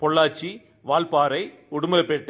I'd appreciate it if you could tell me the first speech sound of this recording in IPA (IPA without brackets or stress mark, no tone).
p